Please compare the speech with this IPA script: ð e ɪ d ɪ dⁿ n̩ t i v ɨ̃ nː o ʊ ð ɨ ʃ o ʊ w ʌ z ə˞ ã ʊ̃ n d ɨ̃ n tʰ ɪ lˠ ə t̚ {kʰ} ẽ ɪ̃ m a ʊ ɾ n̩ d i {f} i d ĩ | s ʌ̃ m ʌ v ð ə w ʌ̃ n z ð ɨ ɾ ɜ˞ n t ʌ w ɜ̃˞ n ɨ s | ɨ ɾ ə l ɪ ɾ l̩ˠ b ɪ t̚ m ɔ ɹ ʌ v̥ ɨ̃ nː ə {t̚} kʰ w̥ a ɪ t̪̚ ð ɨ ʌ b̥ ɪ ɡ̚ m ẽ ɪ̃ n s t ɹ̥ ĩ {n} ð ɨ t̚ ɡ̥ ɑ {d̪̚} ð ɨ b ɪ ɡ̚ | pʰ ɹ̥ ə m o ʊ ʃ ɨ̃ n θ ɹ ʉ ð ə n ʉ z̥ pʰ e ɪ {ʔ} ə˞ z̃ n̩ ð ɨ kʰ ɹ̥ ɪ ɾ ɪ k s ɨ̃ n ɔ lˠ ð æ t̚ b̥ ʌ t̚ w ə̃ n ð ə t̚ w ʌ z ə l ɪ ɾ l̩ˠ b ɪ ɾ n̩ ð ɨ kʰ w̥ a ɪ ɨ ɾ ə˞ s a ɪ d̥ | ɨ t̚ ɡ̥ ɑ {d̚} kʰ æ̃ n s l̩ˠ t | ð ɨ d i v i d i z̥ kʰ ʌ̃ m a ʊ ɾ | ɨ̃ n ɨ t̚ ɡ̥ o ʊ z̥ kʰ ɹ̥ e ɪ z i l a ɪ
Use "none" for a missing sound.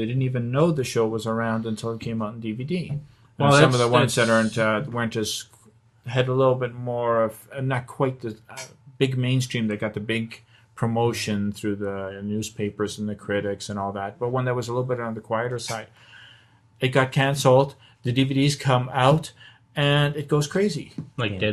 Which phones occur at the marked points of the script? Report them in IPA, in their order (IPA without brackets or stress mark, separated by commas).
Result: kʰ, v, t̚, m, t̪̚, p, t̚